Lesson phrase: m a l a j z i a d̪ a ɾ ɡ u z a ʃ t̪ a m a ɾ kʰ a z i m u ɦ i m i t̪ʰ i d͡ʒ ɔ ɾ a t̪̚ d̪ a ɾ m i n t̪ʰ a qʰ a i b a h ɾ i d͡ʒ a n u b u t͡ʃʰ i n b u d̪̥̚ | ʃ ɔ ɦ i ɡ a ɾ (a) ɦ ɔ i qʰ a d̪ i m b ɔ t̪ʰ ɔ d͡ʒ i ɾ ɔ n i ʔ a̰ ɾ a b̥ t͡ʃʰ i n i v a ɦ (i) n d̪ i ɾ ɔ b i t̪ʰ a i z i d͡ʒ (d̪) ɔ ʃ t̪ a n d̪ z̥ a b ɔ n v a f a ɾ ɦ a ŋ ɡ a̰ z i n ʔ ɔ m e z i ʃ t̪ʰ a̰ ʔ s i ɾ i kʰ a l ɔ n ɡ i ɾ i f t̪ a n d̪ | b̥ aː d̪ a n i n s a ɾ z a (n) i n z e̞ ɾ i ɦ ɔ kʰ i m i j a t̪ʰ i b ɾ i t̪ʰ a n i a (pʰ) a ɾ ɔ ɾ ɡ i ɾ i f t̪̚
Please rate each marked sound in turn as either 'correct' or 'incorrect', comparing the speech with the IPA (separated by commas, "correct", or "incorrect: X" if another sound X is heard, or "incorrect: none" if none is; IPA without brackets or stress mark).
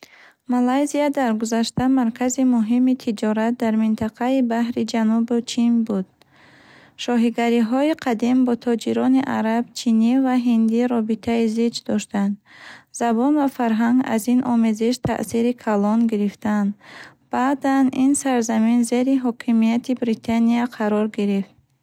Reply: incorrect: i, correct, correct, incorrect: m, incorrect: qʰ